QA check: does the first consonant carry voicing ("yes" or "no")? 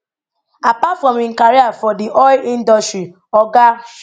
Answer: no